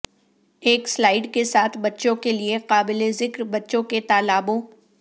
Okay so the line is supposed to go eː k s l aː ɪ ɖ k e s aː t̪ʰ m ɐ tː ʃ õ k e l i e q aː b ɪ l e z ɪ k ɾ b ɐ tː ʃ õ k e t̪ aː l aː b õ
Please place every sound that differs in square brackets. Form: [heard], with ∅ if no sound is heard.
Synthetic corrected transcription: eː k s l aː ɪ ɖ k e s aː t̪ʰ [b] ɐ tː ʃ õ k e l i e q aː b ɪ l e z ɪ k ɾ b ɐ tː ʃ õ k e t̪ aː l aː b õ